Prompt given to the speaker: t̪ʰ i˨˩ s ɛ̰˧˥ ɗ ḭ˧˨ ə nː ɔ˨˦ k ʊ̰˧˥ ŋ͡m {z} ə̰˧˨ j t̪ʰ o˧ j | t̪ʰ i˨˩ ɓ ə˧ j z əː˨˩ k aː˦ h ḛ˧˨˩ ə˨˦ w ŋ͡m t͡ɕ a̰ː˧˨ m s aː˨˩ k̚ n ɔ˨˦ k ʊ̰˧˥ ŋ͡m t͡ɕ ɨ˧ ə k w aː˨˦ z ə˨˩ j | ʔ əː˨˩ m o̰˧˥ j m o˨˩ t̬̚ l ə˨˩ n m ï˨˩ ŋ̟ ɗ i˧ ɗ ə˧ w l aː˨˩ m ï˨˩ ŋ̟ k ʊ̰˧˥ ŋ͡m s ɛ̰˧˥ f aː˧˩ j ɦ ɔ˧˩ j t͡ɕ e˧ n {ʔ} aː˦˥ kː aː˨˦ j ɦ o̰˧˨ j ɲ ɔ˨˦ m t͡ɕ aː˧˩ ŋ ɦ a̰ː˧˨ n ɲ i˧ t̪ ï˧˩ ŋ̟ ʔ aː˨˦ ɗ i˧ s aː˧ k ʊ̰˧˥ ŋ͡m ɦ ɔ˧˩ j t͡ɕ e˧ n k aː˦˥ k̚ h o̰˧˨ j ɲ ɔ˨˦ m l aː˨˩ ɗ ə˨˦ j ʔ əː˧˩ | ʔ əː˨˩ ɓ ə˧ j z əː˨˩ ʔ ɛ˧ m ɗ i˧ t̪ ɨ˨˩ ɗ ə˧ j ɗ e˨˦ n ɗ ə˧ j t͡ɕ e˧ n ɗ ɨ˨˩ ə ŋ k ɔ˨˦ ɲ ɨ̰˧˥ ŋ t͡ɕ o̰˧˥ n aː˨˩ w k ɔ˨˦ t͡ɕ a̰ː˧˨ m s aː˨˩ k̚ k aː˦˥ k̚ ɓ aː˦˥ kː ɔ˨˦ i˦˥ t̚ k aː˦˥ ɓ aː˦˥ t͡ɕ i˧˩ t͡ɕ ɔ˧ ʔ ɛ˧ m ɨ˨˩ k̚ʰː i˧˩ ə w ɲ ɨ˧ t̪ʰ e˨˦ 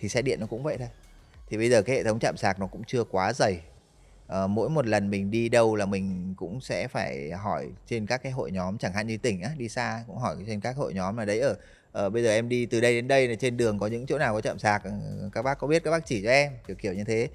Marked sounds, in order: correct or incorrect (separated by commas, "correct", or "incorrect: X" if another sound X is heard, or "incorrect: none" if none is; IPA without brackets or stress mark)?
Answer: incorrect: v, incorrect: k